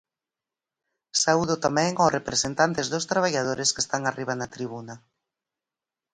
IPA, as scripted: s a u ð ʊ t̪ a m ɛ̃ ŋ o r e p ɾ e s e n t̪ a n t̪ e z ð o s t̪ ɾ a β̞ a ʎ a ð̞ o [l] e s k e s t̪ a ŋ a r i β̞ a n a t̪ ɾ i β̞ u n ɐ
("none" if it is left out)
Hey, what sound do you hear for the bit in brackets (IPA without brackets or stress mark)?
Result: ɾ